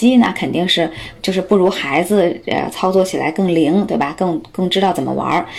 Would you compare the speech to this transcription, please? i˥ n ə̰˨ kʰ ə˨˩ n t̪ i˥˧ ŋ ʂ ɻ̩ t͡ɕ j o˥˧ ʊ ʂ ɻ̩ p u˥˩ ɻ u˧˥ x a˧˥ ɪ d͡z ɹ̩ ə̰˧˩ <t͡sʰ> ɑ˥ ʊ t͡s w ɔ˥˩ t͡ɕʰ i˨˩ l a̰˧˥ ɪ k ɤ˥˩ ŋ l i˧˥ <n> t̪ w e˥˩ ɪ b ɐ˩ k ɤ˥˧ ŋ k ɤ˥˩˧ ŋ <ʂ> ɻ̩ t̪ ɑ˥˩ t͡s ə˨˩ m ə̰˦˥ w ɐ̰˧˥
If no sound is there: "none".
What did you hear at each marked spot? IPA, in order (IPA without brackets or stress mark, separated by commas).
t͡sʰ, ŋ, ʈ͡ʂ